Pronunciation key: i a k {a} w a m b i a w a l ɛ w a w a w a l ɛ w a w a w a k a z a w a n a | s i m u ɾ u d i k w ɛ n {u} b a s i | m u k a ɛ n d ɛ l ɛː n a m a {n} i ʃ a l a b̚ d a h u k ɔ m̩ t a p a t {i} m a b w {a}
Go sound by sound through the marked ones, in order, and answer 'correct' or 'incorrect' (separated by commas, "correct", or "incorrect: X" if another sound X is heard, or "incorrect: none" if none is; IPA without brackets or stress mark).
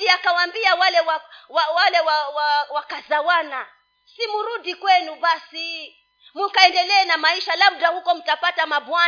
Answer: correct, correct, incorrect: none, incorrect: a, correct